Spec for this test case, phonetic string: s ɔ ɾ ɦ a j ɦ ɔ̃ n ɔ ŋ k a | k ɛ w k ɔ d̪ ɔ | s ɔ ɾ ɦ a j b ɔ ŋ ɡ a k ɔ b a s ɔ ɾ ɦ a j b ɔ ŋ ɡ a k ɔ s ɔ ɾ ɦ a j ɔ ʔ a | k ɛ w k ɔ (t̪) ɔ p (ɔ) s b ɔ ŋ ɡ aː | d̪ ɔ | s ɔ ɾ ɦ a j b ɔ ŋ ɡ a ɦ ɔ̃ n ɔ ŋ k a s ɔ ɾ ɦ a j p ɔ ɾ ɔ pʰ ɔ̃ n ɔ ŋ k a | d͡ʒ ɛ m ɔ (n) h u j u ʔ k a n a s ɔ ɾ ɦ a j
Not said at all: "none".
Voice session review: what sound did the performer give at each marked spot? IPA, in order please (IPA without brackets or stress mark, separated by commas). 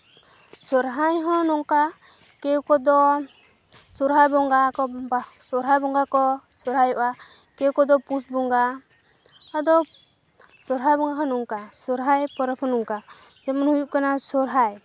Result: d̪, u, n